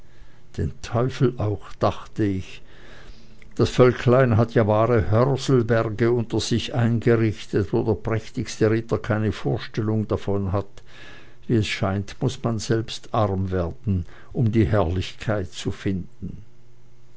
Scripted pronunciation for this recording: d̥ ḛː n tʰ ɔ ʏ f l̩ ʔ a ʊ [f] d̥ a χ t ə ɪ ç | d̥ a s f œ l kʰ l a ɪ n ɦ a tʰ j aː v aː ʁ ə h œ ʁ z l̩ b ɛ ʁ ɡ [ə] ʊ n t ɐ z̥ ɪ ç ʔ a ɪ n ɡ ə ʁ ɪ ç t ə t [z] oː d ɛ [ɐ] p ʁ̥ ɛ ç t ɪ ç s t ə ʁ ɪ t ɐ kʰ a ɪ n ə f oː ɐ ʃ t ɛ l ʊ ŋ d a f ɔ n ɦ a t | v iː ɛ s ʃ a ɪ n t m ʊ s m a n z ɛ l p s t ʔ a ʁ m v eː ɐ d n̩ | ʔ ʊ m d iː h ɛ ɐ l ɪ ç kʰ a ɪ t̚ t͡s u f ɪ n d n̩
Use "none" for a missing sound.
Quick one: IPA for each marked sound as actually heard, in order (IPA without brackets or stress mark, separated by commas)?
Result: x, ə, v, ɐ